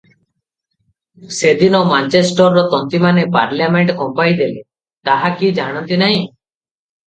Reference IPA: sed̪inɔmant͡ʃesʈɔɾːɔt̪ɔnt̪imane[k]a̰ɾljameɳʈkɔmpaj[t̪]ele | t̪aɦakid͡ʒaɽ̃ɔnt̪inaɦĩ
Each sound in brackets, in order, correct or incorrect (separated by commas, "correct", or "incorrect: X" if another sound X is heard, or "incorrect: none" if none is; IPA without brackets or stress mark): incorrect: p, incorrect: d̪